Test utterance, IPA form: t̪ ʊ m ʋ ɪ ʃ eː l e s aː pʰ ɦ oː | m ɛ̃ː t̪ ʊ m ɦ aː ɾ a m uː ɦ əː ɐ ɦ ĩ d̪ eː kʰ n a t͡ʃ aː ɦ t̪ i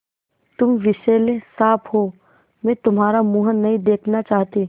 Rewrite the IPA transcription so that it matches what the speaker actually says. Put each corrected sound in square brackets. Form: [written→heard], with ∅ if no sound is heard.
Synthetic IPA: t̪ ʊ m ʋ ɪ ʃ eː l e s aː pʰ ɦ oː | m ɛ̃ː t̪ ʊ m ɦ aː ɾ a m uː ɦ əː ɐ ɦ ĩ d̪ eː kʰ n a t͡ʃ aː ɦ t̪ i